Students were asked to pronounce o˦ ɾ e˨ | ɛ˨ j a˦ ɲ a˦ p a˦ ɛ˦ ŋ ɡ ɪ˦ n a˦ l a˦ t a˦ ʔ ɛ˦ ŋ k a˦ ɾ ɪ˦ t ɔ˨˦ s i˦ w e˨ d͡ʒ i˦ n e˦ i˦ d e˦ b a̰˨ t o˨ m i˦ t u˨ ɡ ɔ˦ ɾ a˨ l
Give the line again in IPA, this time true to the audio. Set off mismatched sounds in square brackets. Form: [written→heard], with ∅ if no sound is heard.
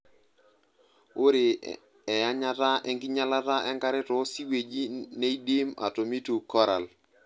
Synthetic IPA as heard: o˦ ɾ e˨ | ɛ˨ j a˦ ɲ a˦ [p→t] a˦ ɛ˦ ŋ ɡ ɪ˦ [n→ɲ] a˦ l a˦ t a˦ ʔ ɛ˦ ŋ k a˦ ɾ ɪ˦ t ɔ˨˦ s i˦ w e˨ d͡ʒ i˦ n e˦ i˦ d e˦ [b→m] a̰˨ t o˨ m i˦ t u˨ [ɡ→k] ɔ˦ ɾ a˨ l

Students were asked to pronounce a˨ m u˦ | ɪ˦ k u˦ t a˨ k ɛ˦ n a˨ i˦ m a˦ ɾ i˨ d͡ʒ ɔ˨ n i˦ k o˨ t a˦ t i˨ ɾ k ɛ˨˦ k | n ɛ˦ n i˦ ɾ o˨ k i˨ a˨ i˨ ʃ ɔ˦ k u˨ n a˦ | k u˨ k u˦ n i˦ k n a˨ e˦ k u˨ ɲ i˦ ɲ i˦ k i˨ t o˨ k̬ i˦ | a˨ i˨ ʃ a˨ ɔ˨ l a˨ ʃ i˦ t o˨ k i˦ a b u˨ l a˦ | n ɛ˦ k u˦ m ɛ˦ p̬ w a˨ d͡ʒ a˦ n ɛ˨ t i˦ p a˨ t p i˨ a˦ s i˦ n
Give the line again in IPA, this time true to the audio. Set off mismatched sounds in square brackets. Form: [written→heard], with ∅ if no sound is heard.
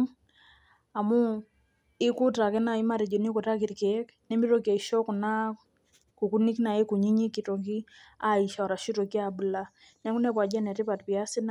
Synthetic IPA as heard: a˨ m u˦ | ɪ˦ k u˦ t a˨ k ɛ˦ n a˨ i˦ m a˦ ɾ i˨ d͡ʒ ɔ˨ n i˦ k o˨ t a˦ [t→k] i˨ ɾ k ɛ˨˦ k | n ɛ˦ [n→m] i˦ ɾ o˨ k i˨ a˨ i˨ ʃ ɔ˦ k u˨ n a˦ | k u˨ k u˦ n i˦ k n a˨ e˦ k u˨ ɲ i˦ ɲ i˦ k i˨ t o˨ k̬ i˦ | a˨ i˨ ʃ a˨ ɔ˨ [l→ɾ] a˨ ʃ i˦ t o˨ k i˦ a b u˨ l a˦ | n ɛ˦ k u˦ [m→n] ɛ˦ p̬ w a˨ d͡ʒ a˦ n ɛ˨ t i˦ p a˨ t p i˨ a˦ s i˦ n

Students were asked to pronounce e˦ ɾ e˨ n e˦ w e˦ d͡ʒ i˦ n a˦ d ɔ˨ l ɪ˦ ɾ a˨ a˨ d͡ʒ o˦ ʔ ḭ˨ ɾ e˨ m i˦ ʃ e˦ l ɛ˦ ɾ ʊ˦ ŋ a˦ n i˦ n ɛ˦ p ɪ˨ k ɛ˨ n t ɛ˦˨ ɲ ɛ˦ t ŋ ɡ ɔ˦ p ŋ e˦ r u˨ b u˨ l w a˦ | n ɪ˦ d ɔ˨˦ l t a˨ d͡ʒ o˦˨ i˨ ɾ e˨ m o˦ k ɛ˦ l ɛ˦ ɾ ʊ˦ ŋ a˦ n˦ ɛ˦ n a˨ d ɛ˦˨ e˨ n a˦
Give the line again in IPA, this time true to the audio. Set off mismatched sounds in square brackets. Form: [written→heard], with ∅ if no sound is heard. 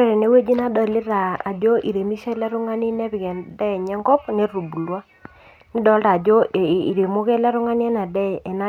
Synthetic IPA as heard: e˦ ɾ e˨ n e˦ w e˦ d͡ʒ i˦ n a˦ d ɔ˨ l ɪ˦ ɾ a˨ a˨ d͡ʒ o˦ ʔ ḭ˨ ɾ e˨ m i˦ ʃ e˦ l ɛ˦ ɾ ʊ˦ ŋ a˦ n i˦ n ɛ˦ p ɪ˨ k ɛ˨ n [t→d] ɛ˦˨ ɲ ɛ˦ [t→∅] ŋ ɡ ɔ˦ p [ŋ→n] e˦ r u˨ b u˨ l w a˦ | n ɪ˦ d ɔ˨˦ l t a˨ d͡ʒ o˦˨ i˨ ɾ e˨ m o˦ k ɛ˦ l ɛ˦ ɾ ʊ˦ ŋ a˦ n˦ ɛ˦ n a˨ d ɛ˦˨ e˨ n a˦

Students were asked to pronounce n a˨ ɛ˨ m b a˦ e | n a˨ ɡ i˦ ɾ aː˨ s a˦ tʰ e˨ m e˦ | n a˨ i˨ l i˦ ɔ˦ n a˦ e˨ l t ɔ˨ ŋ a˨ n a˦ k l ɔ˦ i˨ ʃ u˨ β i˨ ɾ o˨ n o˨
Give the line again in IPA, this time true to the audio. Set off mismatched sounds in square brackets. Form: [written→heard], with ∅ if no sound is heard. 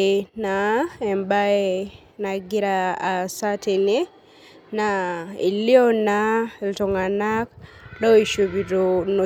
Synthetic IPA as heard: n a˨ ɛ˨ m b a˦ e | n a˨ ɡ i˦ ɾ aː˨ s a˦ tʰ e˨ [m→n] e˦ | n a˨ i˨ l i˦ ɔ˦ n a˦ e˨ l t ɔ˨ ŋ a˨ n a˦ k l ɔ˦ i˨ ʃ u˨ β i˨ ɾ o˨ n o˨

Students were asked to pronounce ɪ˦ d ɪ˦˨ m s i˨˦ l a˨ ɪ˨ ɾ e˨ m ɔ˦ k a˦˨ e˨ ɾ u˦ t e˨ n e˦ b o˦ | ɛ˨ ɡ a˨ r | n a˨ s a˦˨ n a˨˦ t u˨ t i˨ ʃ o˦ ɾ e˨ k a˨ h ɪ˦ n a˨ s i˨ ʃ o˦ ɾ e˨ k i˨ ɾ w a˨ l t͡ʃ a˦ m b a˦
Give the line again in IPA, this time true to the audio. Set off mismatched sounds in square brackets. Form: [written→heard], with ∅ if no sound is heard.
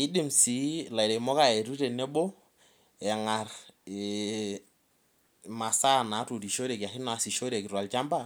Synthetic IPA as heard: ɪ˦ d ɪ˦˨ m s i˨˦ l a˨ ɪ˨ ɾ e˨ m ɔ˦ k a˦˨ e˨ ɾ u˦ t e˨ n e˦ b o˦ | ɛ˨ [ɡ→ŋ] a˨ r | [n→m] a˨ s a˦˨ n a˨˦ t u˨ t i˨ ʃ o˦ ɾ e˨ k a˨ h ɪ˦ n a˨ s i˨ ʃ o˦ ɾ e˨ k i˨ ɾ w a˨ l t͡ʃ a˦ m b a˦

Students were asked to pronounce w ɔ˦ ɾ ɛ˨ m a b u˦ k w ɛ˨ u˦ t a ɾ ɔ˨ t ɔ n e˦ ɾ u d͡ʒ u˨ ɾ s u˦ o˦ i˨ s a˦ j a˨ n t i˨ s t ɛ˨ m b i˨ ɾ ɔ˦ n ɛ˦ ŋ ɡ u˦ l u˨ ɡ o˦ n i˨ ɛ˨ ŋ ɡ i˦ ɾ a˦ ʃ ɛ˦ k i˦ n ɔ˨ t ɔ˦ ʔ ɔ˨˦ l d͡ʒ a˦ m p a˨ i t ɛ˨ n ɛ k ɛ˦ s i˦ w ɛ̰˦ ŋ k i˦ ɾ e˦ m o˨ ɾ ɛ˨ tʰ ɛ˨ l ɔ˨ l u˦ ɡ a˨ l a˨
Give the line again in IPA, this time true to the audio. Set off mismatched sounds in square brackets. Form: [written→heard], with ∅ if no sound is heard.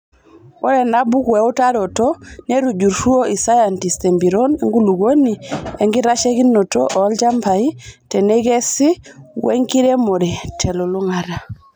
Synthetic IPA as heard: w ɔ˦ ɾ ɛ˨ [m→n] a b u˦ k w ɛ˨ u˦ t a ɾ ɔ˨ t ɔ n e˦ ɾ u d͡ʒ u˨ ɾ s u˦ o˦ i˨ s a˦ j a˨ n t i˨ s t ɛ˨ m b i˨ ɾ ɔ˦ n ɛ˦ ŋ ɡ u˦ l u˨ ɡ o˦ n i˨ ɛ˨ ŋ ɡ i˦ ɾ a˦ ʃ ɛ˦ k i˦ n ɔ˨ t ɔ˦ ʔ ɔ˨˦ l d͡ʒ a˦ m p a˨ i t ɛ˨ n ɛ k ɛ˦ s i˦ w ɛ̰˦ ŋ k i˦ ɾ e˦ m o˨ ɾ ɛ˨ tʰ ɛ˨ l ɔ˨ l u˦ [ɡ→ŋ] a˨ [l→ɾ] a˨

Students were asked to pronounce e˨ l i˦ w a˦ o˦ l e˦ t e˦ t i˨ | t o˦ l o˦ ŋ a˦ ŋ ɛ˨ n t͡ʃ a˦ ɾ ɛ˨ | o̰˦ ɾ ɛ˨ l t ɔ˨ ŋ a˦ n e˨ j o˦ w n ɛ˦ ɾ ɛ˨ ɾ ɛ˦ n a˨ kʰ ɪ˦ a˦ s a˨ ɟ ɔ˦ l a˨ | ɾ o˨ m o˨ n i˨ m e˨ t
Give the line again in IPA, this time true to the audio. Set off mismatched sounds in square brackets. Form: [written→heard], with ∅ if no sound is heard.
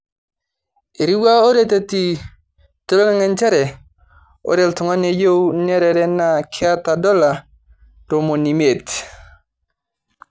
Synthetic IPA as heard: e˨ [l→ɾ] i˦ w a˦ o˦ [l→ɾ] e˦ t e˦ t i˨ | t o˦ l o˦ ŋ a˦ ŋ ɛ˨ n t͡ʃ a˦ ɾ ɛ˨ | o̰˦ ɾ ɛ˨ l t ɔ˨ ŋ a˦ n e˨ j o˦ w n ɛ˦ ɾ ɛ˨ ɾ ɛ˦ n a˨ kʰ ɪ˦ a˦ [s→t] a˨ [ɟ→d] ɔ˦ l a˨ | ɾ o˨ m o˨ n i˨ m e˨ t

